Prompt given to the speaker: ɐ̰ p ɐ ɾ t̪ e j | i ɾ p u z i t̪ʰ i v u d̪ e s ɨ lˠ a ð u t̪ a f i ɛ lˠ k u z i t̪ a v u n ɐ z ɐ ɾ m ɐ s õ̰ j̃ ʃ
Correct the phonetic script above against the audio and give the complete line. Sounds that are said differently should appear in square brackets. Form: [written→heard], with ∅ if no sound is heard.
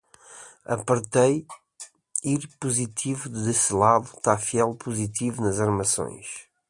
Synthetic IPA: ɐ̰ p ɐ ɾ t̪ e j | i ɾ p u z i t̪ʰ i v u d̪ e s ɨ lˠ a ð u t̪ a f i ɛ lˠ [k→p] u z i t̪ [a→i] v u n ɐ z ɐ ɾ m ɐ s õ̰ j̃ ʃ